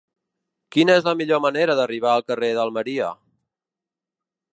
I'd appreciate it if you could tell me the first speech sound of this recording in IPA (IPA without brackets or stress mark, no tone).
k